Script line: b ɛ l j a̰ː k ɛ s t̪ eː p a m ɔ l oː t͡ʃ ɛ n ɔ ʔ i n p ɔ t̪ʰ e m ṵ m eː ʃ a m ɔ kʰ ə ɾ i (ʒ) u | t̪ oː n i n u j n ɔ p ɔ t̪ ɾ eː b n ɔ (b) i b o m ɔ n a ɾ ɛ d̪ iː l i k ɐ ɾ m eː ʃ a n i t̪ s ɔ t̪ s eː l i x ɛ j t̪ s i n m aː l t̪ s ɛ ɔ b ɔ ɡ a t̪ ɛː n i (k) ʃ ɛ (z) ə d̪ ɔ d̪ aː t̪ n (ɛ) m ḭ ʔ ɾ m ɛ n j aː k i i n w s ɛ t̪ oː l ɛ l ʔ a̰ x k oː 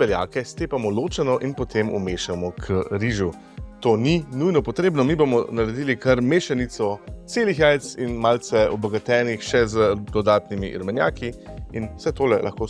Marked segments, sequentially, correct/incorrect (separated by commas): correct, incorrect, incorrect, correct, incorrect